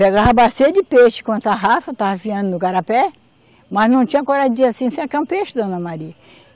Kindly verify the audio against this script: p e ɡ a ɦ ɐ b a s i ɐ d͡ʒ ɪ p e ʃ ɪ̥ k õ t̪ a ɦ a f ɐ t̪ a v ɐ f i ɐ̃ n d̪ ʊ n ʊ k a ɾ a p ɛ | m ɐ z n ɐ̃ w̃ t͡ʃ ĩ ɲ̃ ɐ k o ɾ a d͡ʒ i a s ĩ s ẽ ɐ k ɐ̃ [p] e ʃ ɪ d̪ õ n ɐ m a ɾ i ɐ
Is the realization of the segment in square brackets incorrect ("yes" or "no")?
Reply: no